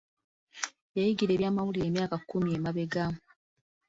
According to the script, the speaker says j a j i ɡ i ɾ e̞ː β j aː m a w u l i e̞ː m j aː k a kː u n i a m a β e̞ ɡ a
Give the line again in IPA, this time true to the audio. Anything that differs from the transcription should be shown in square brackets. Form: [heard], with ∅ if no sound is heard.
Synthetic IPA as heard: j a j i ɡ i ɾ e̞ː β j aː m a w u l i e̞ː m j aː k a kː u [m] i [e] m a β e̞ ɡ a